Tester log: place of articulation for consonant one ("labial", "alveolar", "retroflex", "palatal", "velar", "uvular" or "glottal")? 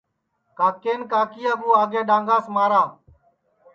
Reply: velar